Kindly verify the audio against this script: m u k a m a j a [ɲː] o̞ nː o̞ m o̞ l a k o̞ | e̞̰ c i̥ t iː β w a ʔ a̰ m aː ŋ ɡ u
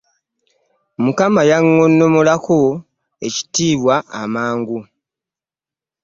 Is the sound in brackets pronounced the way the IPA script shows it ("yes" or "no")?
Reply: no